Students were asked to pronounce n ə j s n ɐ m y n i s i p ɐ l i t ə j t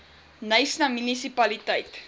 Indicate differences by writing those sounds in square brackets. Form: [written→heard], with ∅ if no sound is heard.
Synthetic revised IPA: n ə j s n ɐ m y n i s i p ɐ l i t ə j t